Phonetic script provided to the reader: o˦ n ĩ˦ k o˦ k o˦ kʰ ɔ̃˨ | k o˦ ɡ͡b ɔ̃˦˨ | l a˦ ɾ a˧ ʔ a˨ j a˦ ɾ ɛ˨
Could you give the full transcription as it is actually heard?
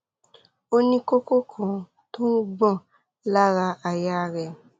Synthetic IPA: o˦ n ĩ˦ k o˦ k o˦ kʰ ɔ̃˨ | t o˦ ɡ͡b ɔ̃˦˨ | l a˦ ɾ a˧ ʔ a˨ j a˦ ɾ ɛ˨